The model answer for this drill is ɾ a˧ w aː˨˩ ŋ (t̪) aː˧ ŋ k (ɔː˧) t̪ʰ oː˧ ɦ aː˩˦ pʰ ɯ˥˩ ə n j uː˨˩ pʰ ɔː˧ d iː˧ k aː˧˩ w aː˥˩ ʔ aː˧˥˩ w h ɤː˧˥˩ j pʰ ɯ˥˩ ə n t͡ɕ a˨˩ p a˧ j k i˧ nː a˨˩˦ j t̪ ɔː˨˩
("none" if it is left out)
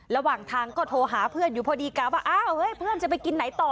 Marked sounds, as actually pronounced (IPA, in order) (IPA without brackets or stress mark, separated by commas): t̪ʰ, ɔː˥˩